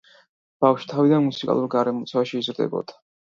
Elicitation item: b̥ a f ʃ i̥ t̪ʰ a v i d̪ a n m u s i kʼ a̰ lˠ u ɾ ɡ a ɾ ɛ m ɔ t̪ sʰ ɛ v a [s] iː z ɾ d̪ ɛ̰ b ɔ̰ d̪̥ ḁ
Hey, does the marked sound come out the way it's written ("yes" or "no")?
no